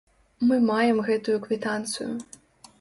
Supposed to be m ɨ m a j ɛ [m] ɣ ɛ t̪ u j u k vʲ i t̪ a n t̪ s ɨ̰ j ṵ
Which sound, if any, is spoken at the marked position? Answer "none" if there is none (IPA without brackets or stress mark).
m